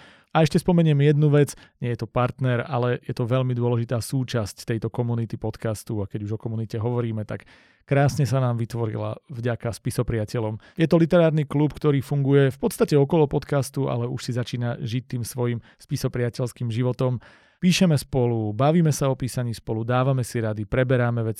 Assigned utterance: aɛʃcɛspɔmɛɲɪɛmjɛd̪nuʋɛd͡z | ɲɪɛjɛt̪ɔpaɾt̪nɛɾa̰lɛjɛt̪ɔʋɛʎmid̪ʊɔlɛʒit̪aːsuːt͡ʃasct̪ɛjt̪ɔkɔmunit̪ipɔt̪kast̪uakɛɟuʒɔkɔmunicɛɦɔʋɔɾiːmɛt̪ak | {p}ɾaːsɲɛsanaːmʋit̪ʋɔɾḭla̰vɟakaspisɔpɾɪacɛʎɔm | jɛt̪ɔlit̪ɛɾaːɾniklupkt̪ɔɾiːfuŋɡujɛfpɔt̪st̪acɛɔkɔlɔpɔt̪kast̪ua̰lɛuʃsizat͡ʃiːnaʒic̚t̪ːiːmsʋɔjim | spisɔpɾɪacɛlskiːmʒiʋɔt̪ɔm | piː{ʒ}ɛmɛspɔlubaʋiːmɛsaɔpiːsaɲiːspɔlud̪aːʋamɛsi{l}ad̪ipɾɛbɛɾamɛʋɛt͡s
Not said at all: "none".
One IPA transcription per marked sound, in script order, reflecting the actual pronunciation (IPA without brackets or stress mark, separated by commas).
k, ʃ, ɾ